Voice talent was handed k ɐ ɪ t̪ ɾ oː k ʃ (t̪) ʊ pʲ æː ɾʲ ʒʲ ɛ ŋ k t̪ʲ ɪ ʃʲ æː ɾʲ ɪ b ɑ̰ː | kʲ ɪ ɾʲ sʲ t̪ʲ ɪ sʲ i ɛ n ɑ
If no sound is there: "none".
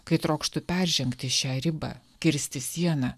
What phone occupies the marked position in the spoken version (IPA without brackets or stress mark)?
t̪